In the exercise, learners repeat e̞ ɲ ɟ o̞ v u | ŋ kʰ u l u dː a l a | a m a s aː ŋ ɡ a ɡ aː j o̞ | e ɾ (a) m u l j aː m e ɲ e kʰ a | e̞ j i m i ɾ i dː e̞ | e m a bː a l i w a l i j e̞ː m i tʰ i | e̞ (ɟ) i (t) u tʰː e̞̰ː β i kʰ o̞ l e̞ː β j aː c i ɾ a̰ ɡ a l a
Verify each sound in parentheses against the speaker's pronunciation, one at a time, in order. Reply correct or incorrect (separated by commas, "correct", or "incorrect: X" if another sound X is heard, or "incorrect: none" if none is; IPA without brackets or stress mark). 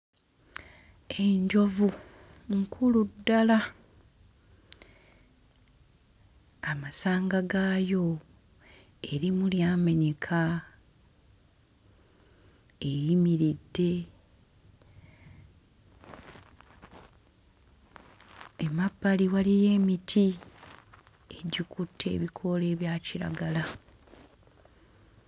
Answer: incorrect: i, correct, incorrect: k